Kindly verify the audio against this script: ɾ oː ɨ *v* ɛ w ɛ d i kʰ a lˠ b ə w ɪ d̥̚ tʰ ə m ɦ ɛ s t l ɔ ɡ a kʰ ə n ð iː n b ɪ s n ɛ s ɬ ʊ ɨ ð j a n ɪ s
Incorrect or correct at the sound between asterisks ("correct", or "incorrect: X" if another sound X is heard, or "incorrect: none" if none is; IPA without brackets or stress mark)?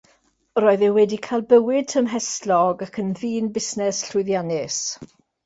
incorrect: ð